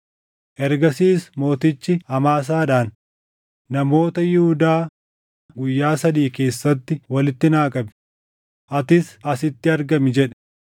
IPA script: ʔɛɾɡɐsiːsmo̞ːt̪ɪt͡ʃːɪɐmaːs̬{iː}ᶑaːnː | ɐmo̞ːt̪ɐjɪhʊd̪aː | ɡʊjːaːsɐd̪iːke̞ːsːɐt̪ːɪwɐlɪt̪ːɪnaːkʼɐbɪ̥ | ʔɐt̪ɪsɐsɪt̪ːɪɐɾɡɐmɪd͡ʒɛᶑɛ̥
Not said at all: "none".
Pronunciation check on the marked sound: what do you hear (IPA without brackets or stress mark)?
aː